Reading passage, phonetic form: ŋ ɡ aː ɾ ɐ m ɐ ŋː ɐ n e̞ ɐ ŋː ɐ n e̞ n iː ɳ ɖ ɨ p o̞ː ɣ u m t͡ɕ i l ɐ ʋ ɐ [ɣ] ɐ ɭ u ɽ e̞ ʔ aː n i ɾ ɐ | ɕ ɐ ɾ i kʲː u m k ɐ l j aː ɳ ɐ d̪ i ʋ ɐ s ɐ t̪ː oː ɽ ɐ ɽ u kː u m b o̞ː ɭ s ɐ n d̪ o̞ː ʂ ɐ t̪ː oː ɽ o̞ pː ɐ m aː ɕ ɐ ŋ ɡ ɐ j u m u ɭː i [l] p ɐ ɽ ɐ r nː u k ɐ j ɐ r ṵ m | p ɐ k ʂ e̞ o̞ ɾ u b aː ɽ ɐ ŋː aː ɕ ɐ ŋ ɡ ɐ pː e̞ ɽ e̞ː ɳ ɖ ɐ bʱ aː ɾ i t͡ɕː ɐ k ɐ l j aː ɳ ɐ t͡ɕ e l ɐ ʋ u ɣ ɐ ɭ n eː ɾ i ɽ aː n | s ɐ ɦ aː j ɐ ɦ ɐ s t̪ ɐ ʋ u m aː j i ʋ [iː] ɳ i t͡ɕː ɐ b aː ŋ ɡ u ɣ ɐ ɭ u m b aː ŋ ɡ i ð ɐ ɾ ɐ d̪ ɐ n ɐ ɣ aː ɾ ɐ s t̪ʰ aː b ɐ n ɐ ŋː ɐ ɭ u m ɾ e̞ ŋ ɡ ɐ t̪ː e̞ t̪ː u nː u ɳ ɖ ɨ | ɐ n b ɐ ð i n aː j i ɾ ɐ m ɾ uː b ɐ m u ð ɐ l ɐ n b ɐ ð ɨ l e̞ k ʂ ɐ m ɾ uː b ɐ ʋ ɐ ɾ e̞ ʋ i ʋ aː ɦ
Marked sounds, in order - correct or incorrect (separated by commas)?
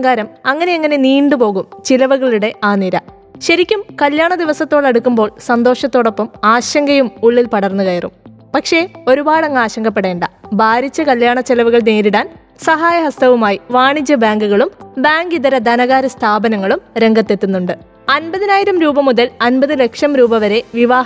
correct, correct, incorrect